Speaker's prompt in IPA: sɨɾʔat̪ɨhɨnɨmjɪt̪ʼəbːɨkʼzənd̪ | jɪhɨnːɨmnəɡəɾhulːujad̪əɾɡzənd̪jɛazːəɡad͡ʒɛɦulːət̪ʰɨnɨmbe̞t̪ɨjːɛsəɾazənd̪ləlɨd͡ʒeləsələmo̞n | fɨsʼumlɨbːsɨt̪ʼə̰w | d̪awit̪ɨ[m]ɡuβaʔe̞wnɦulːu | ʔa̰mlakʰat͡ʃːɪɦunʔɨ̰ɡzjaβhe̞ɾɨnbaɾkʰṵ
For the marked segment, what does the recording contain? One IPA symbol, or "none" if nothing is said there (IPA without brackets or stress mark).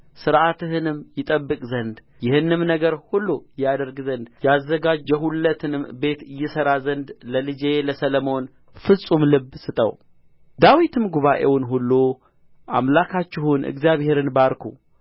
m